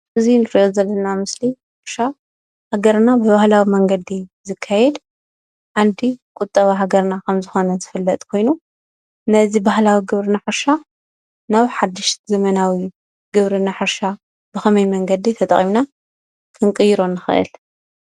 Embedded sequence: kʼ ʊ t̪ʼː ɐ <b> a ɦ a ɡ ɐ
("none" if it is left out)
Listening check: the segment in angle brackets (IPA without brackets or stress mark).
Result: β